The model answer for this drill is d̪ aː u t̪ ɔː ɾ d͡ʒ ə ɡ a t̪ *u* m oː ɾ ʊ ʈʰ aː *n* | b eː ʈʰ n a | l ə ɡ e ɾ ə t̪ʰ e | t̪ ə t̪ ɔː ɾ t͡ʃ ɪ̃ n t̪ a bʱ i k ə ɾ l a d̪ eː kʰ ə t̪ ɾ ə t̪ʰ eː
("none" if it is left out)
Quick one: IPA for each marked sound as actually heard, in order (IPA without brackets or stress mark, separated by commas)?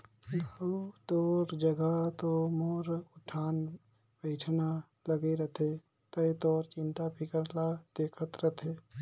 o, n